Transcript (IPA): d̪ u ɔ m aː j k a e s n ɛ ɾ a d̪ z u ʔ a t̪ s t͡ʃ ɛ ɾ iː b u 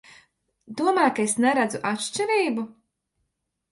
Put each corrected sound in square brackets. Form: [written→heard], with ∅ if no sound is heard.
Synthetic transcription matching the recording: d̪ u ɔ m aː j k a e s n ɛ ɾ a d̪ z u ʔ a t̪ [s→ʃ] t͡ʃ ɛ ɾ iː b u